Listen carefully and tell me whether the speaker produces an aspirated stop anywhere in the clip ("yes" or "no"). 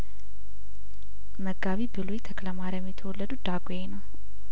yes